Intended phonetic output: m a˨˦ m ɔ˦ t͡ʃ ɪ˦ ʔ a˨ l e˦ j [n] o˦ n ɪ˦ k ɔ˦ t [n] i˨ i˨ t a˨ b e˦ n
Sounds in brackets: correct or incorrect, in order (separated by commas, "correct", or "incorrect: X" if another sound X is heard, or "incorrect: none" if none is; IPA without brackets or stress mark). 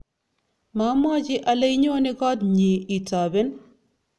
incorrect: ɲ, incorrect: ɲ